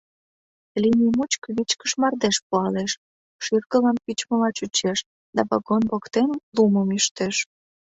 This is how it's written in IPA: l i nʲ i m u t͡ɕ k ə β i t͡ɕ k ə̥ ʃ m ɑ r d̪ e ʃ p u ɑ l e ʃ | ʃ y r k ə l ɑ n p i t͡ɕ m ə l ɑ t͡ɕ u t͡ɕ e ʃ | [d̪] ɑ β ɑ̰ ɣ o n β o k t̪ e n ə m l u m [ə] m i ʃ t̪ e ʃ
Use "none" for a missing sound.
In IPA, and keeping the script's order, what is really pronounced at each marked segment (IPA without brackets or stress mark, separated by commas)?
d̪, ə